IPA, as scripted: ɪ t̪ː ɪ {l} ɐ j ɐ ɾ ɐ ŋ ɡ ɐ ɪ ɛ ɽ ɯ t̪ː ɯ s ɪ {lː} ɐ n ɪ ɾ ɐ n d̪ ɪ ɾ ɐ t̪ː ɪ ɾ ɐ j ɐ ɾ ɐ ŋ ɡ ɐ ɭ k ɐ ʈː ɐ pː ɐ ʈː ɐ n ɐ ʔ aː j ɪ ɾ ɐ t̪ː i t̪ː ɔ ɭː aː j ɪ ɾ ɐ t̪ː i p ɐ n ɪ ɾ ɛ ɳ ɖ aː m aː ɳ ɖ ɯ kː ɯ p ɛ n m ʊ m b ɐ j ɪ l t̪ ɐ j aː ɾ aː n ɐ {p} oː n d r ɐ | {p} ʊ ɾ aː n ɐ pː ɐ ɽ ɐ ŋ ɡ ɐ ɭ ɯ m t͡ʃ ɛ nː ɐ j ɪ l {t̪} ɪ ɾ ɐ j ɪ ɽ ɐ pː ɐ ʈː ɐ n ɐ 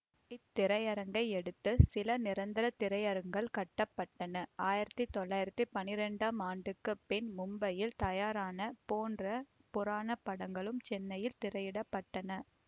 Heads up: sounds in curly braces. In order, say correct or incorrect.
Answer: incorrect, incorrect, correct, correct, correct

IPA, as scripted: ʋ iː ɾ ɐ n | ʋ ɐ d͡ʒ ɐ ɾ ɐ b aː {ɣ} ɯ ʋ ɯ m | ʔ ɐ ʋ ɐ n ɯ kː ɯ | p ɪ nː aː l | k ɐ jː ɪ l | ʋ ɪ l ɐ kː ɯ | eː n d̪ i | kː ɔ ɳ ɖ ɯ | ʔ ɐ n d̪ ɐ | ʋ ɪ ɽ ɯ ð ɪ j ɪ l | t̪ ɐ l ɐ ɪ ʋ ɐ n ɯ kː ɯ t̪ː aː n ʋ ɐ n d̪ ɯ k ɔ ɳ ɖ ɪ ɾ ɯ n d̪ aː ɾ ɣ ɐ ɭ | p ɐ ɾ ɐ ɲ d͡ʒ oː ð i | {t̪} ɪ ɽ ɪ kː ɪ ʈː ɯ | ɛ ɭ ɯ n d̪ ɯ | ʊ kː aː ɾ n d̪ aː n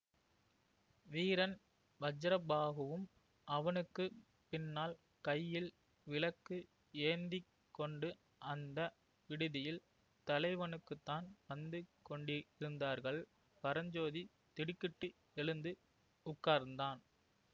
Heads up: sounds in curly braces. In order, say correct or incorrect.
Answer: correct, correct

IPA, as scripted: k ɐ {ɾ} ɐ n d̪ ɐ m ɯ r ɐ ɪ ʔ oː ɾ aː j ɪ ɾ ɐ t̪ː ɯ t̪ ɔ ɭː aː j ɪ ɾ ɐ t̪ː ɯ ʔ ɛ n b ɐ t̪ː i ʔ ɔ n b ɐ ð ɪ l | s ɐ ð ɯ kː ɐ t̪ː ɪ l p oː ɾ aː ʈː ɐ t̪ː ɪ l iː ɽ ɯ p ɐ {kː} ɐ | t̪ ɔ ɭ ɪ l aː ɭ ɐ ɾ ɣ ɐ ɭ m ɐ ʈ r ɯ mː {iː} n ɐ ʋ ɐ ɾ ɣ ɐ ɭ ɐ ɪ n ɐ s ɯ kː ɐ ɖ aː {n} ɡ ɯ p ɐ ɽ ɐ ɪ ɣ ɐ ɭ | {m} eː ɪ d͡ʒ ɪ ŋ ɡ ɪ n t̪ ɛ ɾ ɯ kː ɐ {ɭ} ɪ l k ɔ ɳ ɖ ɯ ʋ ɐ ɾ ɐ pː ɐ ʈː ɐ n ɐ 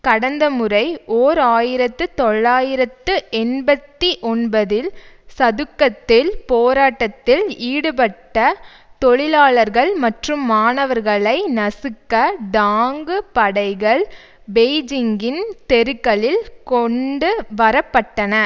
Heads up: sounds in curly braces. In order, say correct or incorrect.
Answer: incorrect, incorrect, incorrect, incorrect, incorrect, correct

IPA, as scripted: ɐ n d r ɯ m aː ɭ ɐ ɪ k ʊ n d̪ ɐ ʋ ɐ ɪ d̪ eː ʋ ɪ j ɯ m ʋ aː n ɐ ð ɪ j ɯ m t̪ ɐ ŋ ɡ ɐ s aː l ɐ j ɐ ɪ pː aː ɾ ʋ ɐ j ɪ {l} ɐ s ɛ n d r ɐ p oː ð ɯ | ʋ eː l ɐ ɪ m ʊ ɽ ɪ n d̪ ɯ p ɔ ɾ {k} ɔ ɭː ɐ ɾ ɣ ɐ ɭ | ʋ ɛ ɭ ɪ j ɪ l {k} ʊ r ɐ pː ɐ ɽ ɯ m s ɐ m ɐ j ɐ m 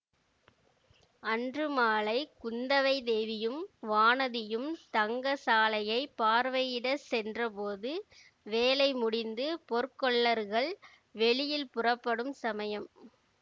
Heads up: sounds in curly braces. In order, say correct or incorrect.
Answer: incorrect, correct, incorrect

